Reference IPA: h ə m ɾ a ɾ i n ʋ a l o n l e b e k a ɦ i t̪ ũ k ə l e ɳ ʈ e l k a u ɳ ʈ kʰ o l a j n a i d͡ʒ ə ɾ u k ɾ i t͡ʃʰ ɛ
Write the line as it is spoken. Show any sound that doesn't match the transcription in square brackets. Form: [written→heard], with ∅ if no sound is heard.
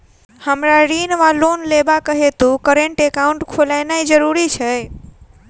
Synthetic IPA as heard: h ə m ɾ a ɾ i n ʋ a l o n l e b [e→a] k [a→ə] ɦ [i→e] t̪ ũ k ə [l→ɾ] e ɳ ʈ e [l→∅] k a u ɳ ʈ kʰ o l a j n a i d͡ʒ ə ɾ u [k→∅] ɾ i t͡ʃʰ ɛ